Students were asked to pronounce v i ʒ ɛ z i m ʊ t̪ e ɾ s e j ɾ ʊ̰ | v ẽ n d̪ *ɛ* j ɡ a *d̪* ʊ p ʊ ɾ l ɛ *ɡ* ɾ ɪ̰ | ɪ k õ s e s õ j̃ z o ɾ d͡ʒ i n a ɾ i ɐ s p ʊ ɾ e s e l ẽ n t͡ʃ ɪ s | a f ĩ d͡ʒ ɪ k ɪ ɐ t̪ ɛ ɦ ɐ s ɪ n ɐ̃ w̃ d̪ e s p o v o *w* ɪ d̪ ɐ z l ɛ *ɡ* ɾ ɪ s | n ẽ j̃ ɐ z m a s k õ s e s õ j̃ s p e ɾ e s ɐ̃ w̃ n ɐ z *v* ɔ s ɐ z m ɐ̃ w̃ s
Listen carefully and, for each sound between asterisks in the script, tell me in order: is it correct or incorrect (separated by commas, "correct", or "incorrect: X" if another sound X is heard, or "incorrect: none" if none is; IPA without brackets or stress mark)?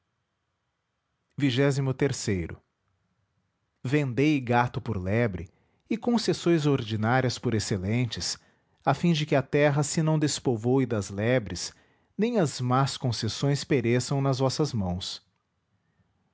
incorrect: e, incorrect: t̪, incorrect: b, correct, incorrect: b, correct